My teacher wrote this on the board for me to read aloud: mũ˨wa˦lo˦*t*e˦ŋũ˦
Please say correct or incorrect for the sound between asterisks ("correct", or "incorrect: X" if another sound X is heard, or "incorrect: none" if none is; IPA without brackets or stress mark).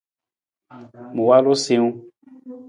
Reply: incorrect: s